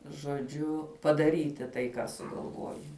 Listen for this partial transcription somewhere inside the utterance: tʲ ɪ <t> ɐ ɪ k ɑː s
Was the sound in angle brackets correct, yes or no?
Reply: yes